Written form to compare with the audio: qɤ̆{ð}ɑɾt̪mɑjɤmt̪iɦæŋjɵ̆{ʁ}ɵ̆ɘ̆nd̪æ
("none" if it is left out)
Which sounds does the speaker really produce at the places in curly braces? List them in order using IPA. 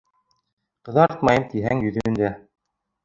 ð, ð

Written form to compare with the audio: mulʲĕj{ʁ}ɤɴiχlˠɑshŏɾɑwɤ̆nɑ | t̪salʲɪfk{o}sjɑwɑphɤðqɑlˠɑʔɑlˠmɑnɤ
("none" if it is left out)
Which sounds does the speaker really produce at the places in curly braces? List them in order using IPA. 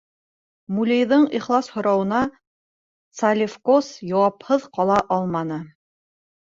ð, o

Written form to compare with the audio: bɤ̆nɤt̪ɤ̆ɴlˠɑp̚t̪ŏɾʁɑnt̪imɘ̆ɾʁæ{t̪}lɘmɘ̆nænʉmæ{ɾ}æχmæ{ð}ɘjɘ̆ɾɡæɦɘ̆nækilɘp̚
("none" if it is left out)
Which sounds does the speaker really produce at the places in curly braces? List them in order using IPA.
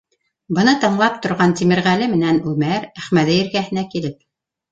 none, ɾ, ð

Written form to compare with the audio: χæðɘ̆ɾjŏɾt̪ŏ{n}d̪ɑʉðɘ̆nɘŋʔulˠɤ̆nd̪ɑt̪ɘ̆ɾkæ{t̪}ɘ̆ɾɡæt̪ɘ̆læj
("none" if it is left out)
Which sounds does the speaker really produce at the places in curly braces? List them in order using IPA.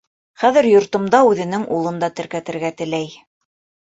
m, t̪

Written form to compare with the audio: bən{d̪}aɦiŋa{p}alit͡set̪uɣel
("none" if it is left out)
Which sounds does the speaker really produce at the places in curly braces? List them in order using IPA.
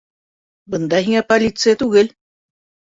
d̪, p

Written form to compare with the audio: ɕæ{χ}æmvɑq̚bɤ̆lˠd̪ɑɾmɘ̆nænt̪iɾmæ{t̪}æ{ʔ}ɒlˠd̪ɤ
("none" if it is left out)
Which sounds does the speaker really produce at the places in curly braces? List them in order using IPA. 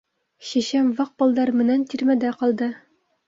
ɕ, d̪, q

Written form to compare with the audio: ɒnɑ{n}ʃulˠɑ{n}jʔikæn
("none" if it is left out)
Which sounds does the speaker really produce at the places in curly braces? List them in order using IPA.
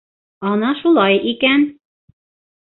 none, none

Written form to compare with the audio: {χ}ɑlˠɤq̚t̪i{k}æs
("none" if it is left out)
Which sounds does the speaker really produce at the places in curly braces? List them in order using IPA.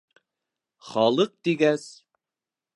χ, ɡ

